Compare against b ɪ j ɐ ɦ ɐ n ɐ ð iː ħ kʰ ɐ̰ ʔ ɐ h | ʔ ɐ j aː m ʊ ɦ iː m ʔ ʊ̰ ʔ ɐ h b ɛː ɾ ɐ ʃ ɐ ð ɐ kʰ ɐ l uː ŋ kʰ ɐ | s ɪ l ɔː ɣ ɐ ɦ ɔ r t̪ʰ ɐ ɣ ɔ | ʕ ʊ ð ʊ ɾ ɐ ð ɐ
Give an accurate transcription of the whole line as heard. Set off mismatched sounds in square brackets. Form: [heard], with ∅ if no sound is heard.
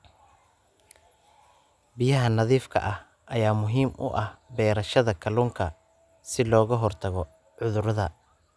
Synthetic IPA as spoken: b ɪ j ɐ ɦ ɐ n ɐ ð iː [f] kʰ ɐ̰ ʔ ɐ h | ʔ ɐ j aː m ʊ ɦ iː m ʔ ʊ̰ ʔ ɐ h b ɛː ɾ ɐ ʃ ɐ ð ɐ kʰ ɐ l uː ŋ kʰ ɐ | s ɪ l ɔː ɣ ɐ ɦ ɔ r t̪ʰ ɐ ɣ ɔ | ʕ ʊ ð ʊ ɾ ɐ ð ɐ